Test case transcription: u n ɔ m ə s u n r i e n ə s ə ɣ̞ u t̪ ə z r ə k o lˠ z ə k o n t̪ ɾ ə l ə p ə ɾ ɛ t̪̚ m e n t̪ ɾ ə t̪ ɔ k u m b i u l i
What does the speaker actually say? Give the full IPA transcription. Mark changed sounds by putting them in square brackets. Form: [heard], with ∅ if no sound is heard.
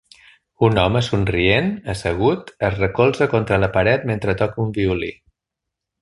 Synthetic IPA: u n ɔ m ə s u n r i e n ə s ə ɣ̞ u t̪ ə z r ə k o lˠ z ə k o n t̪ ɾ ə l ə p ə ɾ ɛ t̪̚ m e n t̪ ɾ ə t̪ ɔ k u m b i u l i

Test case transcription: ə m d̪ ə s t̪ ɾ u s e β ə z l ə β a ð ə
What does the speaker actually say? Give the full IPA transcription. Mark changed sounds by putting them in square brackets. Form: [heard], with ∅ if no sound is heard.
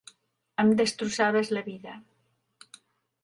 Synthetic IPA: ə m d̪ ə s t̪ ɾ u s [a] β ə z l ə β [i] ð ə

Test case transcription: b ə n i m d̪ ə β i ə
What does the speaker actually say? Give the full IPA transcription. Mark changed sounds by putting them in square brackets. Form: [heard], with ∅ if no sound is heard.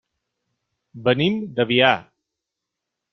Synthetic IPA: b ə n i m d̪ ə β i [a]

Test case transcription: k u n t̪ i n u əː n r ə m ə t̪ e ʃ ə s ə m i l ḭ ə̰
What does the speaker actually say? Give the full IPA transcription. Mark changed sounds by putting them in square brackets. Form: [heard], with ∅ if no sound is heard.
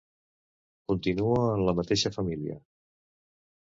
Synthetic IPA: k u n t̪ i n u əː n [l] ə m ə t̪ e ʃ ə [f] ə m i l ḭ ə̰

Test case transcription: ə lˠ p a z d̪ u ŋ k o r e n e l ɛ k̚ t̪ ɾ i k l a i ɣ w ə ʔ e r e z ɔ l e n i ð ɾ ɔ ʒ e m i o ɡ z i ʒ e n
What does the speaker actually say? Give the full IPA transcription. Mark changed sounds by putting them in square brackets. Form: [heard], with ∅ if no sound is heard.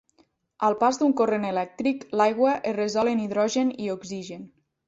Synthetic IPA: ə lˠ p a z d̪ u ŋ k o r e n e l ɛ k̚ t̪ ɾ i k l a [j] ɣ w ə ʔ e r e z ɔ l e n i ð ɾ ɔ ʒ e [n] i o ɡ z i ʒ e n

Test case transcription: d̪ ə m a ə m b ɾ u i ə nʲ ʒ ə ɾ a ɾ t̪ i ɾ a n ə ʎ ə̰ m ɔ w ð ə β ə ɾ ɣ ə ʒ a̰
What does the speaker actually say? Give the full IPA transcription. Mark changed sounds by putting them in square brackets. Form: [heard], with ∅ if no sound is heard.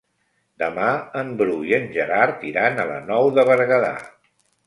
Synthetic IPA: d̪ ə m a ə m b ɾ u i ə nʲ ʒ ə ɾ a ɾ t̪ i ɾ a n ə [l] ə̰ [n] ɔ w ð ə β ə ɾ ɣ ə [ð] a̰

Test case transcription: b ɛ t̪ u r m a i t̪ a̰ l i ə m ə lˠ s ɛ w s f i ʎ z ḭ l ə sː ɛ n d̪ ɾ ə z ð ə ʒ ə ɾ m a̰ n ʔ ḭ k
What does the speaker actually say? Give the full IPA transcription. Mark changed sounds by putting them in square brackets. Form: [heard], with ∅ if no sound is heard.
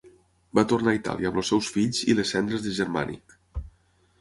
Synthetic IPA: b [a] t̪ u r [n] a i t̪ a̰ l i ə m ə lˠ s ɛ w s f i ʎ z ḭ l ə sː ɛ n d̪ ɾ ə z ð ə ʒ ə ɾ m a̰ n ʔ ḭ k

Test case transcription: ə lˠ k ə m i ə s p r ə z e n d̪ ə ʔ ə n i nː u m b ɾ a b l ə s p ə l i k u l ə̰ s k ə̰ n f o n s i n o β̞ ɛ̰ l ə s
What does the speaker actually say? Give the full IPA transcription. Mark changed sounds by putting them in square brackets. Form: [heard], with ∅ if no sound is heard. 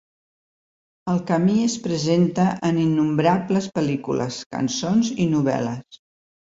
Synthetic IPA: ə lˠ k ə m i ə s p [ɾ] ə z e n [t̪] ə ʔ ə n i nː u m b ɾ a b l ə s p ə l i k u l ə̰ s k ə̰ n [s] o n [z] i n [u] β̞ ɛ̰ l ə s

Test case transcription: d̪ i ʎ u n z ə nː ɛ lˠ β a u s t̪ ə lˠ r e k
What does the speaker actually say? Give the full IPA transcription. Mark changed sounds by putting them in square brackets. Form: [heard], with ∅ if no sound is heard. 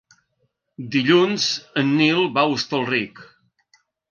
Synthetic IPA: d̪ i ʎ u n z ə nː [i] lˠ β a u s t̪ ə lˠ r [i] k

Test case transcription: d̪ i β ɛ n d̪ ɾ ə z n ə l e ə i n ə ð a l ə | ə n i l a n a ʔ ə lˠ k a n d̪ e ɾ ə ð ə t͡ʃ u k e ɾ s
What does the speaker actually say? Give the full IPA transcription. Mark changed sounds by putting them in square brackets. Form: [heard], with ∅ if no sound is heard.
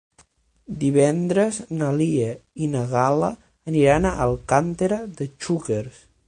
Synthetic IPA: d̪ i β ɛ n d̪ ɾ ə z n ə l [i] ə i n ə [ɣ] a l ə | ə n i [ɾ] a n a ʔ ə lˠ k a n [t̪] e ɾ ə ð ə t͡ʃ u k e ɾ s

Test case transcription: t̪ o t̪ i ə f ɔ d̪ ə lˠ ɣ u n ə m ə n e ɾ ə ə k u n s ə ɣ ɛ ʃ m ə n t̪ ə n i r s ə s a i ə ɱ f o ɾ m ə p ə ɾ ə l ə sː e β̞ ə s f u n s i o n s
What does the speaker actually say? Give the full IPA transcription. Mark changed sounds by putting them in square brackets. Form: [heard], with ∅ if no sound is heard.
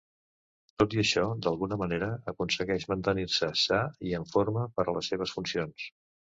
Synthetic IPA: t̪ o t̪ i ə [ʃ] ɔ d̪ ə lˠ ɣ u n ə m ə n e ɾ ə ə k u n s ə ɣ ɛ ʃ m ə n t̪ ə n i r s ə s a i ə ɱ f o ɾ m ə p ə ɾ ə l ə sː e β̞ ə s f u n s i o n s

